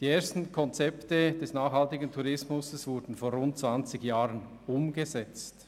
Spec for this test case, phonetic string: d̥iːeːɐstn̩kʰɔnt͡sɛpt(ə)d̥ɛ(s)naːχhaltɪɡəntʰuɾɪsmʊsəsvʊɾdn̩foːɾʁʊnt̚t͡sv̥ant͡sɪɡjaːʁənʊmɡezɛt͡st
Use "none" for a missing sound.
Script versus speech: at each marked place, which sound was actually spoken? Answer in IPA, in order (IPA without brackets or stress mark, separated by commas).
ə, s